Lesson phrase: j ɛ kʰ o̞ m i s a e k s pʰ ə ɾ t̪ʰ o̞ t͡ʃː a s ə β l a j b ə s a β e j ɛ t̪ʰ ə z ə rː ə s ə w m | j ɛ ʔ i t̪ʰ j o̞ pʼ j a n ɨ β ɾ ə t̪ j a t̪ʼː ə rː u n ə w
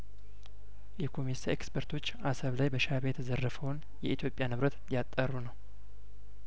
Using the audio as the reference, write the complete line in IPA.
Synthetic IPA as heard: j ɛ kʰ o̞ m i s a e k s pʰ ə ɾ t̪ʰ o̞ t͡ʃː a s ə β l a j b ə ʃ a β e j ɛ t̪ʰ ə z ə rː ə f ə w n | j ɛ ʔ i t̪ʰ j o̞ pʼ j a n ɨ β ɾ ə t̪ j a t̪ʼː ə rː u n ə w